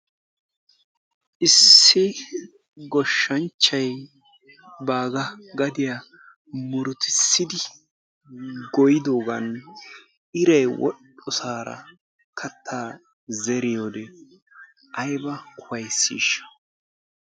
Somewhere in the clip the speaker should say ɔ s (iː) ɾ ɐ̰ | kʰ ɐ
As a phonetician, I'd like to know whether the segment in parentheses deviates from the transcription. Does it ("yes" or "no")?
yes